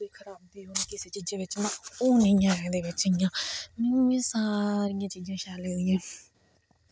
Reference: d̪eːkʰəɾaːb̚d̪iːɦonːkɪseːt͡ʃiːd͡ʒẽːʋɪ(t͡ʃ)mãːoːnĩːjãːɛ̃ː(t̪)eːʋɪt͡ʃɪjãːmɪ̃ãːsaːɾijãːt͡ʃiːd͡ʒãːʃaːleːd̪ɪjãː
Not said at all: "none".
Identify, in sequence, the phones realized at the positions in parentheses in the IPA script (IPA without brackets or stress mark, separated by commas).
t͡ʃ, d̪